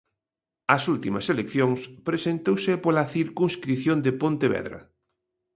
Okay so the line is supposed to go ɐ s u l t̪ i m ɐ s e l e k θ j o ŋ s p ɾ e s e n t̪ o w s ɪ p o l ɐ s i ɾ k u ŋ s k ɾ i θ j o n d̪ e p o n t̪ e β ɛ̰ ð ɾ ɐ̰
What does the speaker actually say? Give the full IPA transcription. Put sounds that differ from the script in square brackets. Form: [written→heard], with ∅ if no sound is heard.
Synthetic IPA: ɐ s u l t̪ i m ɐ s e l e k θ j o ŋ s p ɾ e s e n t̪ o w s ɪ p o l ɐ [s→θ] i ɾ k u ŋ s k ɾ i θ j o n d̪ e p o n t̪ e β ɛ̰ ð ɾ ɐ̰